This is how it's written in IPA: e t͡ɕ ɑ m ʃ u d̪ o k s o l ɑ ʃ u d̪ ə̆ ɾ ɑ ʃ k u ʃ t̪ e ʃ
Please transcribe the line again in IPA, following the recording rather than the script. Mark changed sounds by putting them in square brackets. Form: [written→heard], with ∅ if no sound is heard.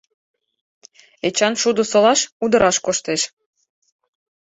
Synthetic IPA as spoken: e t͡ɕ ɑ [m→n] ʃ u d̪ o [k→∅] s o l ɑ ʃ u d̪ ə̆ ɾ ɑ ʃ k [u→o] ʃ t̪ e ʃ